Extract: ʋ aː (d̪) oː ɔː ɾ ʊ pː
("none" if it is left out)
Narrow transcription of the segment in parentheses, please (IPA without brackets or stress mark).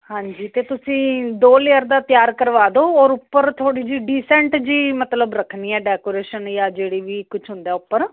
d̪